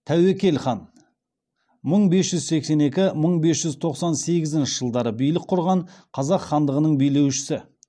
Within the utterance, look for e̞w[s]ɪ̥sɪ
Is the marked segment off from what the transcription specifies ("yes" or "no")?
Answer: yes